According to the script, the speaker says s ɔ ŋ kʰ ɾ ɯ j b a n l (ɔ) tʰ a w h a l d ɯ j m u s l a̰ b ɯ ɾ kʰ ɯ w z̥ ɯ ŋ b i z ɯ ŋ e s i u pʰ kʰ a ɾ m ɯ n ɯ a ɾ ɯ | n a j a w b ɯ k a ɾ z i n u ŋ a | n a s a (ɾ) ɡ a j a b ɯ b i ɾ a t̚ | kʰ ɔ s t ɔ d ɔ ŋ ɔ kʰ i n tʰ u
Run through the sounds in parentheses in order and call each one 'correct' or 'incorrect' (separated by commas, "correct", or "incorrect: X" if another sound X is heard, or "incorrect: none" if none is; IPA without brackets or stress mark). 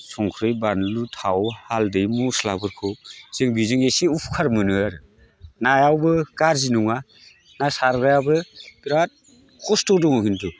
incorrect: u, correct